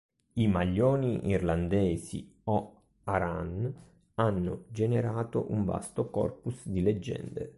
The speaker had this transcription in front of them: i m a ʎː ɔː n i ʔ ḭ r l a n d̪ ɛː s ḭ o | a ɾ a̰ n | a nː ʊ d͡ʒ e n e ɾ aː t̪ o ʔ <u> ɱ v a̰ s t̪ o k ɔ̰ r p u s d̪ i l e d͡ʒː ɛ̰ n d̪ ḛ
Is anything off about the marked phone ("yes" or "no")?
no